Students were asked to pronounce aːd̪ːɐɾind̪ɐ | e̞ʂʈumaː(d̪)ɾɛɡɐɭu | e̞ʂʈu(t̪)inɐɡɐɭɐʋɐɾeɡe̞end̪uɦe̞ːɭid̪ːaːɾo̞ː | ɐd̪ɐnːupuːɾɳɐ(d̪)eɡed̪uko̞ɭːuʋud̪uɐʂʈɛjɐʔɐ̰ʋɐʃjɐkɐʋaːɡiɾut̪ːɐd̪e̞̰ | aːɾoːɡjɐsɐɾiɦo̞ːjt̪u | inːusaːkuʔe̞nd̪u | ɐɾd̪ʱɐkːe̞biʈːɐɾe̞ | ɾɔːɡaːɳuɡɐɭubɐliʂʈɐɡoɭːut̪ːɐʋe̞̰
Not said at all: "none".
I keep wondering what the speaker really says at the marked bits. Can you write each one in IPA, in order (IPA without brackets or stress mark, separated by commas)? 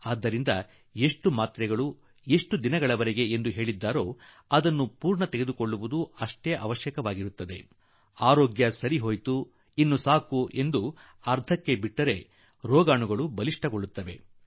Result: t̪, d̪, t̪